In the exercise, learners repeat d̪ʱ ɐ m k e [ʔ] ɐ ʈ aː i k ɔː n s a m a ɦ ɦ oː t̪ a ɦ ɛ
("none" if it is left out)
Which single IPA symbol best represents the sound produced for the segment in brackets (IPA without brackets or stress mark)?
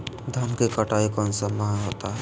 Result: k